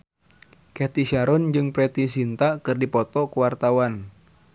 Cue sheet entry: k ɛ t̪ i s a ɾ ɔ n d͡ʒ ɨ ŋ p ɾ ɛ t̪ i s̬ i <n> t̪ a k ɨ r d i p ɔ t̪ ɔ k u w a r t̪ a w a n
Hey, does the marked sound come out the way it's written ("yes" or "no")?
yes